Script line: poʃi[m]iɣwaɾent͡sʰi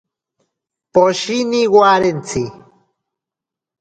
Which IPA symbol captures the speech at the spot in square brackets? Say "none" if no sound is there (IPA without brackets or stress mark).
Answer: n